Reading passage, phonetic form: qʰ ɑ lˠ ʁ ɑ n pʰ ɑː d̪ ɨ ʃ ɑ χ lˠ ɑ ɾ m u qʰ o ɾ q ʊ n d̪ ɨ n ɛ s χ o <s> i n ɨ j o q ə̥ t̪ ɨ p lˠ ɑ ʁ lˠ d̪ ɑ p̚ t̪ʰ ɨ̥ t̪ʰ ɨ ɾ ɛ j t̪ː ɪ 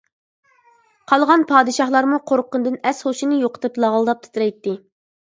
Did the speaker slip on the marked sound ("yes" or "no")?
yes